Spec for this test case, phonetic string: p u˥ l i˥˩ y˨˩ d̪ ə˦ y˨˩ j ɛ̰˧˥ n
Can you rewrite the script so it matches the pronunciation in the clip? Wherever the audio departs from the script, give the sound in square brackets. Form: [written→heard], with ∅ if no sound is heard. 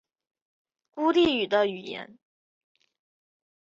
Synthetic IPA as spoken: [p→k] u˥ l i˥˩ y˨˩ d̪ ə˦ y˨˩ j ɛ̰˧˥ n